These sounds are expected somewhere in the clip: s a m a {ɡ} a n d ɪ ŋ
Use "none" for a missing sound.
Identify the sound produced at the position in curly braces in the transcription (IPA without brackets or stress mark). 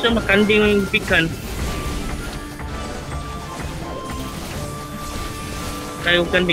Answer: k